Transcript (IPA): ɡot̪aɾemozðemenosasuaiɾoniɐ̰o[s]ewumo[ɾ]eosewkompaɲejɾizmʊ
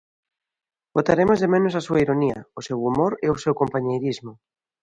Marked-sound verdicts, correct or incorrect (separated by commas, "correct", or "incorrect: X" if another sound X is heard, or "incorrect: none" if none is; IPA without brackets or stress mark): correct, correct